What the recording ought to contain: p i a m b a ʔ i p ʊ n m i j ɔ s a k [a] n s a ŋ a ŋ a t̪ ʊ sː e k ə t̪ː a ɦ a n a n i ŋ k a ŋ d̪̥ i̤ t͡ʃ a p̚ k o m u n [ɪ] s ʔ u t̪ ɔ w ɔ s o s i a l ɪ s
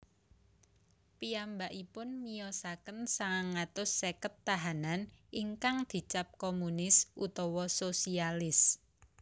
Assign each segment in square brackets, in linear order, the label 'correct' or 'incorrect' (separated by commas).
incorrect, correct